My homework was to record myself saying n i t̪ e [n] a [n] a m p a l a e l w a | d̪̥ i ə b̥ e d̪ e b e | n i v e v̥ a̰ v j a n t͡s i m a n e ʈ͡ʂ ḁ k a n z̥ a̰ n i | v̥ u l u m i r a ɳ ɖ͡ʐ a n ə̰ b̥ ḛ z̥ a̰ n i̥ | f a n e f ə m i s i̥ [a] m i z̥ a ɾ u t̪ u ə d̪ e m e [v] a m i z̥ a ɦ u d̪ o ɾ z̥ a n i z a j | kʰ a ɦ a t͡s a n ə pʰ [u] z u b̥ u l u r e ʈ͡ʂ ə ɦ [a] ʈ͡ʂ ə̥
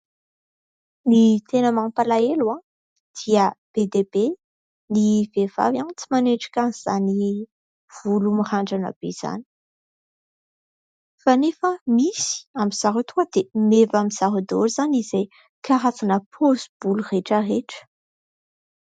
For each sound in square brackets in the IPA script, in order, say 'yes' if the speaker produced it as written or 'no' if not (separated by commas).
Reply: yes, no, yes, yes, no, no